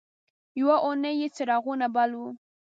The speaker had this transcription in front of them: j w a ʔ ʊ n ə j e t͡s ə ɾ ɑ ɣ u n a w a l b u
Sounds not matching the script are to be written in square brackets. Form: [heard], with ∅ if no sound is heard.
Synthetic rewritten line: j w a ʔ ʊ n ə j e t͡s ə ɾ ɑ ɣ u n a [b] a l [w] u